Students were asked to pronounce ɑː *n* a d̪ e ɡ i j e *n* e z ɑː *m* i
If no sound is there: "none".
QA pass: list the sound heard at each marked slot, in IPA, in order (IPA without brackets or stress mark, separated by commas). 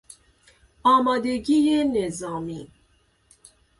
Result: m, n, m